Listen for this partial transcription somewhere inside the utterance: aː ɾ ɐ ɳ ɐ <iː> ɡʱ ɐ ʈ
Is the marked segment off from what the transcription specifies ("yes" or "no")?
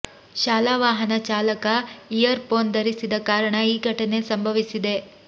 no